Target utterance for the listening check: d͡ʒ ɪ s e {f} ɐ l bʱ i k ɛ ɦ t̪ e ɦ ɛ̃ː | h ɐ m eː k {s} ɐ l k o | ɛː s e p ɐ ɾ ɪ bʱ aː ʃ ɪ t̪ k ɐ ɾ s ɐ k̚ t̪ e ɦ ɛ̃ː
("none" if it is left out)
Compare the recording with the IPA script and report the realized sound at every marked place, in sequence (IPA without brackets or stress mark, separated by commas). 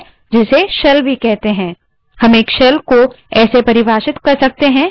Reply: ʃ, ʃ